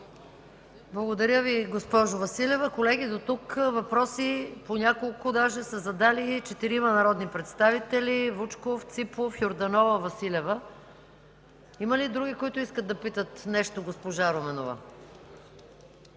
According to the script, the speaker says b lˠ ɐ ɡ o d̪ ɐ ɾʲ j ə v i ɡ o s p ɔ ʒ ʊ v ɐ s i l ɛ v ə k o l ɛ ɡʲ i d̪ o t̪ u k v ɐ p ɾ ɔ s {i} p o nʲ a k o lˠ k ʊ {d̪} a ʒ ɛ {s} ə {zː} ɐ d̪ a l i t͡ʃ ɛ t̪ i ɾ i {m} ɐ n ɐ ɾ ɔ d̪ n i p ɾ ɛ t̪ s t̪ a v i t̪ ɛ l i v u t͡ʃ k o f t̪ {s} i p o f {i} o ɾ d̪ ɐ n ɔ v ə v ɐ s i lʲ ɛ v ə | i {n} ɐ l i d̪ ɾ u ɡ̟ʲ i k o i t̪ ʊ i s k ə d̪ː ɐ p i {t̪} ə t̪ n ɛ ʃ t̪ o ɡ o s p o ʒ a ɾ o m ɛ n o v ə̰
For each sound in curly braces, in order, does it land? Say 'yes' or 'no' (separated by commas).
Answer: yes, yes, yes, no, yes, yes, no, no, yes